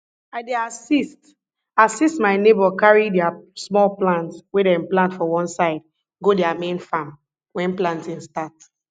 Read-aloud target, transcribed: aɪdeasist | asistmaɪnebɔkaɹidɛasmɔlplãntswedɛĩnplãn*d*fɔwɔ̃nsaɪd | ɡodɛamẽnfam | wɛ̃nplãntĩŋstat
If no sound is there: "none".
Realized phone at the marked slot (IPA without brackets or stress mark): t